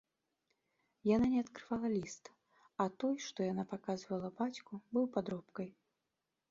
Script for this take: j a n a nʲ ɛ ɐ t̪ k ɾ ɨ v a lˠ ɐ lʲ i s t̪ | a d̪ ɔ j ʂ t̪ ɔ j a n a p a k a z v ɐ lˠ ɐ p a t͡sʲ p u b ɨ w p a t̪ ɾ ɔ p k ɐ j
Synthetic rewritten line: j a n a nʲ ɛ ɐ t̪ k ɾ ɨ v a lˠ ɐ lʲ i s t̪ | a t̪ ɔ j ʂ t̪ ɔ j a n a p a k a z v ɐ lˠ ɐ b a t͡sʲ k u b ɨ w p a d̪ ɾ ɔ p k ɐ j